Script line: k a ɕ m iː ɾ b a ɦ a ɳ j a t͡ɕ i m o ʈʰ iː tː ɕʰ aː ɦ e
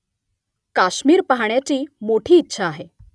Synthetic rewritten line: k a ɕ m iː ɾ p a ɦ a ɳ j a t͡ɕ iː m o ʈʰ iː tː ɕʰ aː ɦ e